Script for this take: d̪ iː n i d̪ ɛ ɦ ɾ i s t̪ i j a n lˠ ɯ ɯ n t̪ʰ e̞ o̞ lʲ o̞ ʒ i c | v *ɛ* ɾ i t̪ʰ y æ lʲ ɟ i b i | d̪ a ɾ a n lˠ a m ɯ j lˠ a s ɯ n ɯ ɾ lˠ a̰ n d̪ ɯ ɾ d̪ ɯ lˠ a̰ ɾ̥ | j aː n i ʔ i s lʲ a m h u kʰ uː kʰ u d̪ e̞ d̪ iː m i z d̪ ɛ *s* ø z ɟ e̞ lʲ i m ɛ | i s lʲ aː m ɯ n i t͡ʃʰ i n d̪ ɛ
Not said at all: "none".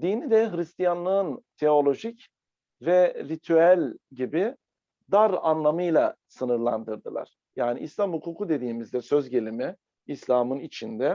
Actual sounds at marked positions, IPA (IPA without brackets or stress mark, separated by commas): ɛ, s